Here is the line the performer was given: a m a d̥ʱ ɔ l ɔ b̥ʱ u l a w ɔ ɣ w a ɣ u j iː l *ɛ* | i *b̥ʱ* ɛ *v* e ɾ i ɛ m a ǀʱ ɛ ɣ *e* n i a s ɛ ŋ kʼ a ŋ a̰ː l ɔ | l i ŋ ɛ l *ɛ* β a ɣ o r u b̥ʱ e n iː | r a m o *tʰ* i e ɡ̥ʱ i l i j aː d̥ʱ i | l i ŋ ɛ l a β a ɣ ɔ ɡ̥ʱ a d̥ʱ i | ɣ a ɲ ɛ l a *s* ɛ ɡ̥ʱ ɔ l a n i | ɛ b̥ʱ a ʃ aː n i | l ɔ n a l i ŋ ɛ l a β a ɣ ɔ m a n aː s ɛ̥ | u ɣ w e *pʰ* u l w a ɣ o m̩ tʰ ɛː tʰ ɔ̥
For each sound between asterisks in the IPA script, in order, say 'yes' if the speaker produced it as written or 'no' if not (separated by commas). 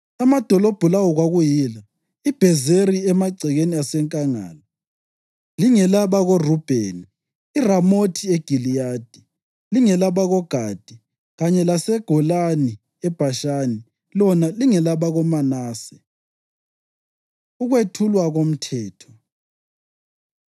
no, yes, no, yes, no, yes, yes, no